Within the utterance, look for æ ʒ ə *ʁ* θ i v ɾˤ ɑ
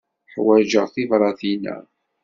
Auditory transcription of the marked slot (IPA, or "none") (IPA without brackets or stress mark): ʁ